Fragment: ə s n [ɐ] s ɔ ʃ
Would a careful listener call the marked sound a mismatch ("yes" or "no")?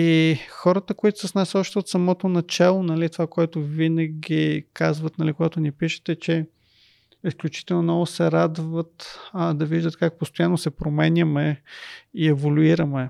yes